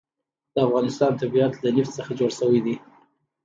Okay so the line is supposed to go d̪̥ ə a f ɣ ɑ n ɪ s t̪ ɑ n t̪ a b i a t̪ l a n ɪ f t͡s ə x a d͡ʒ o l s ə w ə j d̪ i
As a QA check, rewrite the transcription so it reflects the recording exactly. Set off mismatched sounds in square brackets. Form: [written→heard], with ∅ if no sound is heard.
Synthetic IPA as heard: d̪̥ ə a f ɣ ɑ n ɪ s t̪ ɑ n t̪ a b i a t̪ l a n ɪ f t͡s ə x a d͡ʒ o [l→ɽ] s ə w ə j d̪ i